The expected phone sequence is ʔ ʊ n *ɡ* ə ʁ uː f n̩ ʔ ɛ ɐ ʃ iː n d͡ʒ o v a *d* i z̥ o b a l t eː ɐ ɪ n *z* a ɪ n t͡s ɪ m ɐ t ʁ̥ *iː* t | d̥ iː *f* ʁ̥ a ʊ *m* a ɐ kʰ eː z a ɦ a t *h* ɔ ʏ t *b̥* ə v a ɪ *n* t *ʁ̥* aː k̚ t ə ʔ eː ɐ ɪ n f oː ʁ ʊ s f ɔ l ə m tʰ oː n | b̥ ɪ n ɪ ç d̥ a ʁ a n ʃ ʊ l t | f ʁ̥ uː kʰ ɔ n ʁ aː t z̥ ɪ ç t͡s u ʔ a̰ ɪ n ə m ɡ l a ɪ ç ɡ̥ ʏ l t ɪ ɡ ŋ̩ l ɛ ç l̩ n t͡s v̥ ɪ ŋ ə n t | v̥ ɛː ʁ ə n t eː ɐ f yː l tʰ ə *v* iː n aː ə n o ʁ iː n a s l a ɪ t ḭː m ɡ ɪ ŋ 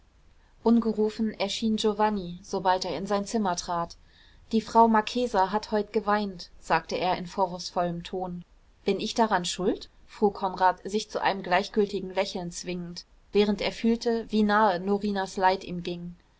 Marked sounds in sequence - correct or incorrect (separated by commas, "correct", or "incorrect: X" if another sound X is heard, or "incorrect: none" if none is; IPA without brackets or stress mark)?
correct, incorrect: n, correct, incorrect: aː, correct, correct, correct, incorrect: ɡ̥, correct, incorrect: z̥, correct